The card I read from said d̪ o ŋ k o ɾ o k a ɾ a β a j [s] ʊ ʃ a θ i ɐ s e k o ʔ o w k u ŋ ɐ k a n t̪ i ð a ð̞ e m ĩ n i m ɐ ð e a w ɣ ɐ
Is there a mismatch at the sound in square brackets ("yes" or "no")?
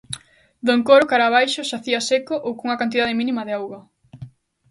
yes